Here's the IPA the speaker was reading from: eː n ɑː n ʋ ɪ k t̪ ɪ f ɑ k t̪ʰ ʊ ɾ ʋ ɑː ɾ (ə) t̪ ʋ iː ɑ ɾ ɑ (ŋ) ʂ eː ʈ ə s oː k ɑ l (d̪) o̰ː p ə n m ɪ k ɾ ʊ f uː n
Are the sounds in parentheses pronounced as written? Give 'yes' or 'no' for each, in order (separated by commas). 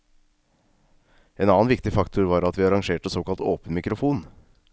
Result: no, yes, no